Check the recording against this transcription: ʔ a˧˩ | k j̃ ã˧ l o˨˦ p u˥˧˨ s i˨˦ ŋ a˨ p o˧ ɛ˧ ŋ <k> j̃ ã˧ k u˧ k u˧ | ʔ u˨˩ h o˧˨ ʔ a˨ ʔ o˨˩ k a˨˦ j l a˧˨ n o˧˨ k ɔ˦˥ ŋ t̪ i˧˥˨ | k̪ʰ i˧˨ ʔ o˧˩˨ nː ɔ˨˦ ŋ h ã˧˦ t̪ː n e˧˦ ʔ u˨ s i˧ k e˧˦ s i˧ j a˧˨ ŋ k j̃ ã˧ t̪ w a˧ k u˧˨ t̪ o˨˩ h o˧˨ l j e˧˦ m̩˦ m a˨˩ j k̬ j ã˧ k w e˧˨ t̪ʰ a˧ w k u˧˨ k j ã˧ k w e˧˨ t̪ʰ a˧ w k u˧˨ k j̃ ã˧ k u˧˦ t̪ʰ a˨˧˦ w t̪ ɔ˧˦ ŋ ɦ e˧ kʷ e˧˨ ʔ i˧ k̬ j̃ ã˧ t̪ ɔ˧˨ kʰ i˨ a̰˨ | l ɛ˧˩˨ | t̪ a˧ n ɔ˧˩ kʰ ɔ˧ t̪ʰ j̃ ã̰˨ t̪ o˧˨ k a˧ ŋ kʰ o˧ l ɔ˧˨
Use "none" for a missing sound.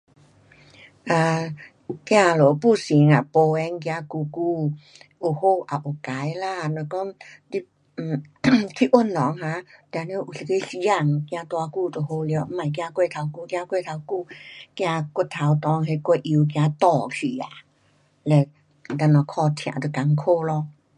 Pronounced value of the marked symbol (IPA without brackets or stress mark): k